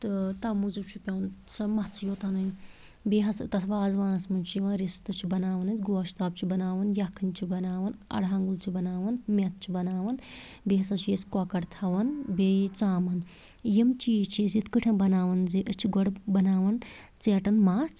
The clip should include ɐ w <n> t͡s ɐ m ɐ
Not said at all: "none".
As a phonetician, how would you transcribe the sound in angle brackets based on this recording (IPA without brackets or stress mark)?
n